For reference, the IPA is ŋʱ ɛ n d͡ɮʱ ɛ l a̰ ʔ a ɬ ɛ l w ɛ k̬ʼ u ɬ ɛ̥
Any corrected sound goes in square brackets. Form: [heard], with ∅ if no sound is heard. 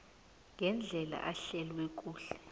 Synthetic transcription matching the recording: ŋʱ ɛ n d͡ɮʱ ɛ l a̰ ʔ a ɬ ɛ l w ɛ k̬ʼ [uː] ɬ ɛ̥

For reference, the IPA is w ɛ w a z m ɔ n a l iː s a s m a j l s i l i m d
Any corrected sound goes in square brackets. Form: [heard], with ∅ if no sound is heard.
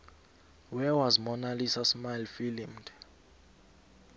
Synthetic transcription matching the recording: w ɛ w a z m ɔ n a l [i] s a s m a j l [f] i l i m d

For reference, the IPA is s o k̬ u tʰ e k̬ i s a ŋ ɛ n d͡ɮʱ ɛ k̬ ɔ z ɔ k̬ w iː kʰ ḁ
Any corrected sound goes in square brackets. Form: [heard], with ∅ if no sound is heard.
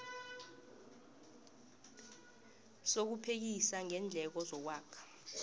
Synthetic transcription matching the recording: s o k̬ u [pʰ] e k̬ i s a ŋ ɛ n d͡ɮʱ ɛ k̬ ɔ z ɔ k̬ w [aː] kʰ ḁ

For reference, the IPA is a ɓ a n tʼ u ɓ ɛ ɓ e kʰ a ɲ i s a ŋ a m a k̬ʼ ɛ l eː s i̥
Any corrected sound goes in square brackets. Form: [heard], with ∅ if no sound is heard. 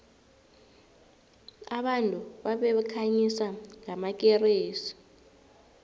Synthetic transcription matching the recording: a ɓ a n tʼ u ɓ [a] ɓ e kʰ a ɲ i s a ŋ a m a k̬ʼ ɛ [r] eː s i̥

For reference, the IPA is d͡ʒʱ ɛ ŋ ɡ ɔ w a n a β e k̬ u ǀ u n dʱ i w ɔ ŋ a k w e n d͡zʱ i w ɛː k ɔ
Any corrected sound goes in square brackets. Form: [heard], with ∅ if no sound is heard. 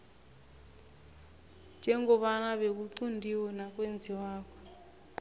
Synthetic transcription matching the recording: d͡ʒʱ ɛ ŋ ɡ ɔ [β] a n a β e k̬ u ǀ u n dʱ i w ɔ [n] a k w e n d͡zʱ i w [aː] k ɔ

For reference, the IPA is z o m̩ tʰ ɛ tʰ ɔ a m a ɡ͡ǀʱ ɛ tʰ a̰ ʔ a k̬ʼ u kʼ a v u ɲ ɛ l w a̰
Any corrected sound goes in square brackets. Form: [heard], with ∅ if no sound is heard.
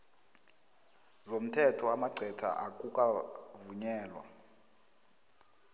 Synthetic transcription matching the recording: z o m̩ tʰ ɛ tʰ ɔ a m a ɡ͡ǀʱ ɛ tʰ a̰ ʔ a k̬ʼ u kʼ a v u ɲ [ɛː] l w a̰

